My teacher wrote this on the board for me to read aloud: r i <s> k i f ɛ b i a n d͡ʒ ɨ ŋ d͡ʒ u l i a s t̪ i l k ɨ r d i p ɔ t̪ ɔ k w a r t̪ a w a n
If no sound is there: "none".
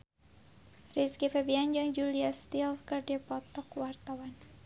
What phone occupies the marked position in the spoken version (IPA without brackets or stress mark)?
s